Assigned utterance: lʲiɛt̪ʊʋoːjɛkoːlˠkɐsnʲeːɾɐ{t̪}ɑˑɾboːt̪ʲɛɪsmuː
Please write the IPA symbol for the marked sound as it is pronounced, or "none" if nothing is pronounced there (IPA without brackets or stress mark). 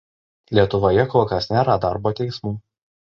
d̪